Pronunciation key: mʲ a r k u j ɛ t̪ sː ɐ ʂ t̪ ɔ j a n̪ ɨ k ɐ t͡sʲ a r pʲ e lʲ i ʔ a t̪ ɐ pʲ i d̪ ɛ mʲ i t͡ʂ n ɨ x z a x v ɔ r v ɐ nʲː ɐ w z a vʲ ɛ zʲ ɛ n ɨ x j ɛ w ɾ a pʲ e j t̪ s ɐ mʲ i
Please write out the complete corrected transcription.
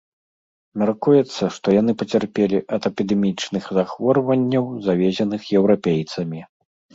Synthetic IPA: mʲ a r k u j ɛ t̪ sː ɐ ʂ t̪ ɔ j a n̪ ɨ p ɐ t͡sʲ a r pʲ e lʲ i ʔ ɐ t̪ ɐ pʲ i d̪ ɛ mʲ i t͡ʂ n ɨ x z a x v ɔ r v ɐ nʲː ɐ w z a vʲ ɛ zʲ ɛ n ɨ x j ɛ w ɾ a pʲ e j t̪ s ɐ mʲ i